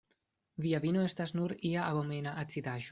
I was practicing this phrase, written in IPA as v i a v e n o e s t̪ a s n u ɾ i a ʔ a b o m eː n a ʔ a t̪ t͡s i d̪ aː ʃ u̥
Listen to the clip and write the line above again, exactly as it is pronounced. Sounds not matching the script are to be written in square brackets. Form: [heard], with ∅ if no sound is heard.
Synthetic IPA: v i a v [i] n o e s t̪ a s n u ɾ i a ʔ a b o m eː n a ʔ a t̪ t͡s i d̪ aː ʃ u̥